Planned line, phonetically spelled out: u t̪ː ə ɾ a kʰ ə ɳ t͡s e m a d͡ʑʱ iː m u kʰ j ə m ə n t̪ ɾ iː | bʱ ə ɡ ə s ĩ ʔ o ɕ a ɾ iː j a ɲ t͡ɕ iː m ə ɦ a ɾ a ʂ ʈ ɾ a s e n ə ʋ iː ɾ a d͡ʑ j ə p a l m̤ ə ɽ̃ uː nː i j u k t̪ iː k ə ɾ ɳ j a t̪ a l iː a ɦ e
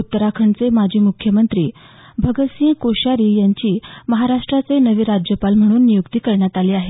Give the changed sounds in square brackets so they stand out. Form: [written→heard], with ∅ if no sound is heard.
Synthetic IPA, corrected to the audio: u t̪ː ə ɾ a kʰ ə ɳ t͡s e m a d͡ʑʱ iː m u kʰ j ə m ə n t̪ ɾ iː | bʱ ə ɡ ə s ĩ [ʔ→k] o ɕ a ɾ iː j a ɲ t͡ɕ iː m ə ɦ a ɾ a ʂ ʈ ɾ a [s→t͡s] e n ə ʋ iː ɾ a d͡ʑ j ə p a l m̤ ə ɽ̃ uː nː i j u k t̪ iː k ə ɾ ɳ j a t̪ a l iː a ɦ e